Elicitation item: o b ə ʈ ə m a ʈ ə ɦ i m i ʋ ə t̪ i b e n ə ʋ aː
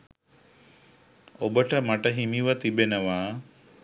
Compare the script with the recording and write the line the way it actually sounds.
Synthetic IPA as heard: o b ə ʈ ə m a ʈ ə ɦ i m i ʋ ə t̪ i b e n ə ʋ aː